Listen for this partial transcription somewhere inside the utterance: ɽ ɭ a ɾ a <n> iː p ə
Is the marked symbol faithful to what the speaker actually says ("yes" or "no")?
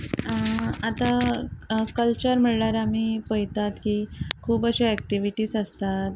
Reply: no